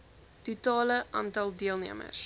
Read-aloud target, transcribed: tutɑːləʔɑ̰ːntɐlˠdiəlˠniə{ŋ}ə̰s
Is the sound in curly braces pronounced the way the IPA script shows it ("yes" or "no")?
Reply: no